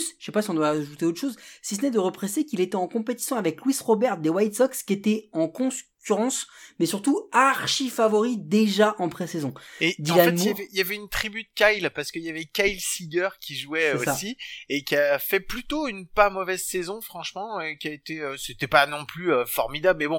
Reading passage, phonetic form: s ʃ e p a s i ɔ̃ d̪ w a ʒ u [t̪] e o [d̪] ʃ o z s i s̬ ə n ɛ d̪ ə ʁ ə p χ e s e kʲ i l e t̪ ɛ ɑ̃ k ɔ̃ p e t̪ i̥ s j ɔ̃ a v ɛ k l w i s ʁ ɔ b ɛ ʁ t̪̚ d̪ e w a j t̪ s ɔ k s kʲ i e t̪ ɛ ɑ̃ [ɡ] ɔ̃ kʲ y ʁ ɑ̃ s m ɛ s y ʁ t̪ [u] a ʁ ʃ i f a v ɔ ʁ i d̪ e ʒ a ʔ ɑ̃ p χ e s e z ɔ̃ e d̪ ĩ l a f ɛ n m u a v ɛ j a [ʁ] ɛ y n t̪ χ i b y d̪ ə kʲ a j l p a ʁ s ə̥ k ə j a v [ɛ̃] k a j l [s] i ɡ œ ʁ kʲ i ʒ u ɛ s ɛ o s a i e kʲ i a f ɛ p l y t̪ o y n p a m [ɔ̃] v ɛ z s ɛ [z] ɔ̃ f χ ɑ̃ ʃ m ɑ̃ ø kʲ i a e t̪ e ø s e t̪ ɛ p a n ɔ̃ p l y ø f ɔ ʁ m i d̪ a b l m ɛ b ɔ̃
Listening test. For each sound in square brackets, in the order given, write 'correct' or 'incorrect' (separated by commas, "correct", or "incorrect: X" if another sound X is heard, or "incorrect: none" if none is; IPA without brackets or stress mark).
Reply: correct, incorrect: t̪, incorrect: k, correct, incorrect: v, incorrect: ɛ, correct, incorrect: ɔ, correct